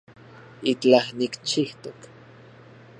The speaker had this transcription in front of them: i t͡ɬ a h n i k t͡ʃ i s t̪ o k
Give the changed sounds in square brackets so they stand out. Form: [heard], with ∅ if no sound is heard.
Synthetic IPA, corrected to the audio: i t͡ɬ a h n i k t͡ʃ i [h] t̪ o k